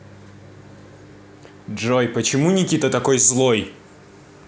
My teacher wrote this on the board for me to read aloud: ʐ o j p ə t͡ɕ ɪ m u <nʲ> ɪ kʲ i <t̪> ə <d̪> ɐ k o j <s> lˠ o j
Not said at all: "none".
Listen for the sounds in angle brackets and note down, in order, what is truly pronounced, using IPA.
nʲ, t̪, t̪, z

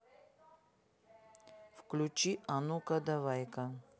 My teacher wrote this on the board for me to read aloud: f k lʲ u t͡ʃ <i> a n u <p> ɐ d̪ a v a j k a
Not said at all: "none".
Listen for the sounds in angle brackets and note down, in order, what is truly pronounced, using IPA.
i, k

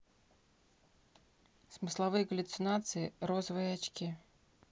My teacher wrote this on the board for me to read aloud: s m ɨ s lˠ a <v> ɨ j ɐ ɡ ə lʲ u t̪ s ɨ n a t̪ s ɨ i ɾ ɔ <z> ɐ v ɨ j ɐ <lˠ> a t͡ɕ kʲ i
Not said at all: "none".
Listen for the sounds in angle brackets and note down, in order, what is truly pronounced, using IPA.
v, z, none

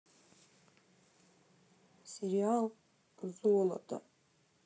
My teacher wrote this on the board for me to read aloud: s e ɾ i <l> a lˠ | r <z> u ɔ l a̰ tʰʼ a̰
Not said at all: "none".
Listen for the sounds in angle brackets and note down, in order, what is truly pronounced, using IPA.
none, z

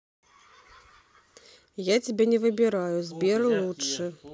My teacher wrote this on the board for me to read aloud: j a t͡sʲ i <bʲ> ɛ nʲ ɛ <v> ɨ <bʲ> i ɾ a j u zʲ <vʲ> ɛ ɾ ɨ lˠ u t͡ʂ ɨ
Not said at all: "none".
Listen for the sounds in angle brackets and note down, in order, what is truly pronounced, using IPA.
bʲ, v, bʲ, bʲ

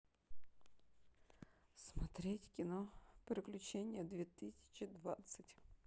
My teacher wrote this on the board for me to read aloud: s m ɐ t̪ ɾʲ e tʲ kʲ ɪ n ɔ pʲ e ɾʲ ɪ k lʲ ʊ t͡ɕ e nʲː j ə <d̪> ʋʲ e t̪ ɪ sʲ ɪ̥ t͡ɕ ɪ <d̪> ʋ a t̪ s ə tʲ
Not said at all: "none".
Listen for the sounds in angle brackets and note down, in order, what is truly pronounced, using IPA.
d̪, d̪

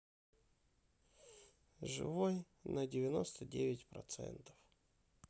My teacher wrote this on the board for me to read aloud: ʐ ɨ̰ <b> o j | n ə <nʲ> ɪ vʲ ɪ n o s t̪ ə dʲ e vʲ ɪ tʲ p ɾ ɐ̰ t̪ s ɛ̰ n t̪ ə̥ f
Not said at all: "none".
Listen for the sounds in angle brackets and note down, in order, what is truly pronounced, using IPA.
v, dʲ

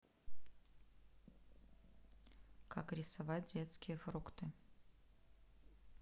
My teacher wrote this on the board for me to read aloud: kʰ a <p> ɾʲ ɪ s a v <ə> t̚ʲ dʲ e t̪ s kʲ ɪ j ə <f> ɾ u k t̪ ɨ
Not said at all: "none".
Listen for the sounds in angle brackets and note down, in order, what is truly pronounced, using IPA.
k, a, f

